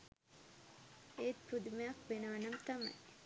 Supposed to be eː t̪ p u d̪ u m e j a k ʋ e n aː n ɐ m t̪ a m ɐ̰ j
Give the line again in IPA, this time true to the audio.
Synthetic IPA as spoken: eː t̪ p u d̪ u m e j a k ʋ e n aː n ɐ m t̪ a m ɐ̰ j